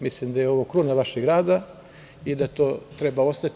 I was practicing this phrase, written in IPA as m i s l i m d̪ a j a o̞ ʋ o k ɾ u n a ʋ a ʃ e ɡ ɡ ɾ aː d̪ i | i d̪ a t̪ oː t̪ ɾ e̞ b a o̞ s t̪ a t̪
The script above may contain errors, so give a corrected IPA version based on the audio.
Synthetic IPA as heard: m i s l i m d̪ a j e o̞ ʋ o k ɾ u n a ʋ a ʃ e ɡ ɡ ɾ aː d̪ a | i d̪ a t̪ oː t̪ ɾ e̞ b a o̞ s t̪ a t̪